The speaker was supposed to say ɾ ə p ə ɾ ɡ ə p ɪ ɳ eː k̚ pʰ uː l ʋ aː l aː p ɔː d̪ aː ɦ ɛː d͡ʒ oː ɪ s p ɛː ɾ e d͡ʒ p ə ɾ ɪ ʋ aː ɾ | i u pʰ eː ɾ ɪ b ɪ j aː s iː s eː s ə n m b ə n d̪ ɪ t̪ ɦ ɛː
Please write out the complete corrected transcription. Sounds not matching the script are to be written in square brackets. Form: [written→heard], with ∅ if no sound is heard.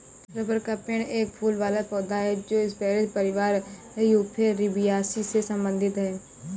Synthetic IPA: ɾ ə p ə ɾ [ɡ→k] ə p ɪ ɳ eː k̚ pʰ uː l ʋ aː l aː p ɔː d̪ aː ɦ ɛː d͡ʒ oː ɪ s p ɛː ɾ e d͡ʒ p ə ɾ ɪ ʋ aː ɾ | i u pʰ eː ɾ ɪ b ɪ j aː s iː s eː s ə [n→∅] m b ə n d̪ ɪ t̪ ɦ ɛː